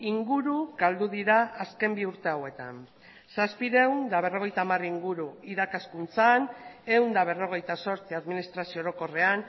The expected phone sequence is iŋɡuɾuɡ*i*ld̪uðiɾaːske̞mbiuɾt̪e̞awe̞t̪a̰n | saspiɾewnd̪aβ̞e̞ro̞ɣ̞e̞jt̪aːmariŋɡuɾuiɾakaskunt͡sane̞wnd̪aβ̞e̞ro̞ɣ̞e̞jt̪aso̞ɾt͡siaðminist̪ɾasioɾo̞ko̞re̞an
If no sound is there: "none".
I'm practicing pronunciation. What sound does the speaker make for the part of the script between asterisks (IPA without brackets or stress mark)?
a